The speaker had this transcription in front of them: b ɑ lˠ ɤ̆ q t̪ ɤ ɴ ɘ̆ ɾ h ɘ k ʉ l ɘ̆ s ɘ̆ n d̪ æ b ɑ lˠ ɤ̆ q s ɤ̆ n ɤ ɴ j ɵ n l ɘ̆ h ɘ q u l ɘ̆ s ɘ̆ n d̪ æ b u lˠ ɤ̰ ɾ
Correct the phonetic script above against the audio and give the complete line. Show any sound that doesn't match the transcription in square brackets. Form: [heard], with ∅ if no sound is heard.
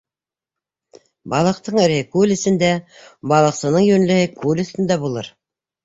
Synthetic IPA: b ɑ lˠ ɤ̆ q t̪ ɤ ɴ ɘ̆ ɾ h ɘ k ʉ l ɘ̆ s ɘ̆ n d̪ æ b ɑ lˠ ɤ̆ q s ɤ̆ n ɤ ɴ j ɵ n l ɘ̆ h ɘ [k] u l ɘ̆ s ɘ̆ n d̪ æ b u lˠ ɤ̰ ɾ